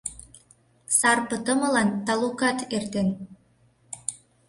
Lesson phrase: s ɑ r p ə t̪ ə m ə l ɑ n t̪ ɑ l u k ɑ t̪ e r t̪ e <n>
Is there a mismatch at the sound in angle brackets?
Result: no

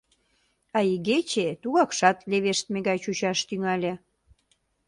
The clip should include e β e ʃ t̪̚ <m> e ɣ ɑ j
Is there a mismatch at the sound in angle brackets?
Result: no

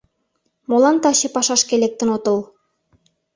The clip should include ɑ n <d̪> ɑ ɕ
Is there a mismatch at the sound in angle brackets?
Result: yes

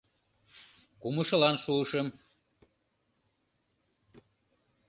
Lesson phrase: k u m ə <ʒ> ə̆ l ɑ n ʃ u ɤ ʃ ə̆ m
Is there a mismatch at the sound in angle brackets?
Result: yes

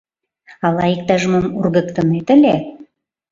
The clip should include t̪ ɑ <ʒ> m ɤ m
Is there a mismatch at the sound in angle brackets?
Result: no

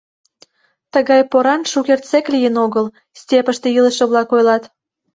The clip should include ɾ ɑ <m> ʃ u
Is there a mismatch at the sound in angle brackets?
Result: yes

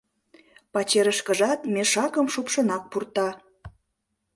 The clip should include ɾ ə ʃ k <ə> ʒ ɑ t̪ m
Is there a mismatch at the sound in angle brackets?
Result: no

